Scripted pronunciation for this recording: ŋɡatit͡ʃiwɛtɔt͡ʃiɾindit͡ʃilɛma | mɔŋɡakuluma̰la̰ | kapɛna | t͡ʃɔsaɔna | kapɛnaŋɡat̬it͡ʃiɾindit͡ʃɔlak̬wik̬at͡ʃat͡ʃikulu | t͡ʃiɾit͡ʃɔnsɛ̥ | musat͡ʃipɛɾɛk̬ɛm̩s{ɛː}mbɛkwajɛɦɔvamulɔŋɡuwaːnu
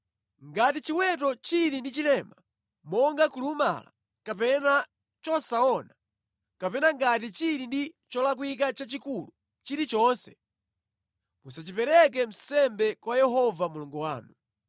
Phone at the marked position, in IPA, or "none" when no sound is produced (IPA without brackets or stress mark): ɛ